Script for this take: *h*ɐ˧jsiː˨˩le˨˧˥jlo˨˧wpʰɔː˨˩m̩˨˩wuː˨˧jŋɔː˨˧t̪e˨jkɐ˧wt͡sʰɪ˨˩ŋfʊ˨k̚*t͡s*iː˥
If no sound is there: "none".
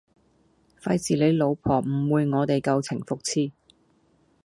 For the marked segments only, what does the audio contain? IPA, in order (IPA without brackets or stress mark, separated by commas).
f, t͡sʰ